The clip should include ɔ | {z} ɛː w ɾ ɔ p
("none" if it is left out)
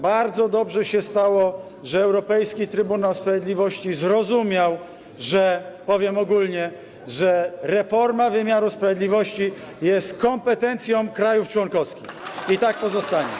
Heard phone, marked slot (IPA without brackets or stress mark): ʐ